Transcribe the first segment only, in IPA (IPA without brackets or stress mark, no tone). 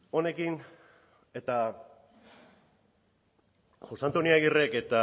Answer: o̞